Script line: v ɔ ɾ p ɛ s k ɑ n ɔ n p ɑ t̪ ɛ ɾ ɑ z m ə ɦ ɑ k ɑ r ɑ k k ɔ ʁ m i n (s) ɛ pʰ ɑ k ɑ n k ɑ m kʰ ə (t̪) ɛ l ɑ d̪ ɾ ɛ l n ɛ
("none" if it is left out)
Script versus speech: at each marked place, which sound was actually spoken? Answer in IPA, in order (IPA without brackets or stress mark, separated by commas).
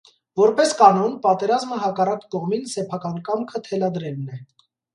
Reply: s, t̪ʰ